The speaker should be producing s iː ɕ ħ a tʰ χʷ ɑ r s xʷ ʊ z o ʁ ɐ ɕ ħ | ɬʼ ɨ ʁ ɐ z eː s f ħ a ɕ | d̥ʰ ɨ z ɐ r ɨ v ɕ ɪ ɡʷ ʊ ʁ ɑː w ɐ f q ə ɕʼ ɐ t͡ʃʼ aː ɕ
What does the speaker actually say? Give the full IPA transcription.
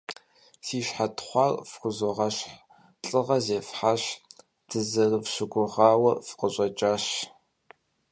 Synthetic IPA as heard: s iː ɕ ħ a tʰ χʷ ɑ r f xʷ ʊ z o ʁ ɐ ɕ ħ | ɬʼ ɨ ʁ ɐ z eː f ħ a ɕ | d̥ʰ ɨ z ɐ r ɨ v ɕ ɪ ɡʷ ʊ ʁ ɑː w ɐ f q ə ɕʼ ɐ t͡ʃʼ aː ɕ